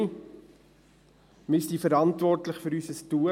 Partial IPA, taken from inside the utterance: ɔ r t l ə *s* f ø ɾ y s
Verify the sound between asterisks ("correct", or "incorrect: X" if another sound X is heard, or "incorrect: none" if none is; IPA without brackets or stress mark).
incorrect: χ